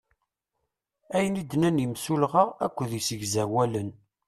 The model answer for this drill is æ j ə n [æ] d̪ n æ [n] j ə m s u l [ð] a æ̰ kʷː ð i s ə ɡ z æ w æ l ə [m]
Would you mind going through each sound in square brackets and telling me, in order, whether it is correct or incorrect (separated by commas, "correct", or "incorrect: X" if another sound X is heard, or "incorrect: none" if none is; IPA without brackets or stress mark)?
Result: incorrect: i, correct, incorrect: ʁ, incorrect: n